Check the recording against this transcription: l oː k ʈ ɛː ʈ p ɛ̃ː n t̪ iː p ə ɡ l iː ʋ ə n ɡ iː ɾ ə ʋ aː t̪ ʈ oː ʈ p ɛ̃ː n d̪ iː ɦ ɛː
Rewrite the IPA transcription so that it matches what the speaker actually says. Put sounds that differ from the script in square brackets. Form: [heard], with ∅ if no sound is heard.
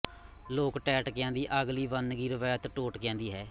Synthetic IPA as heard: l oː k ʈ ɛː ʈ [k] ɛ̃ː n [d̪] iː [ʔ] ə ɡ l iː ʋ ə n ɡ iː ɾ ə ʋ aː t̪ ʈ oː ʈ [k] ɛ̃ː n d̪ iː ɦ ɛː